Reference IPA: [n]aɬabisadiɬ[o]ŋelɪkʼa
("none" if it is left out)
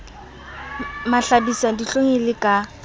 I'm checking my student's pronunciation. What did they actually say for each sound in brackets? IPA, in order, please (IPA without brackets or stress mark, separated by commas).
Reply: m, o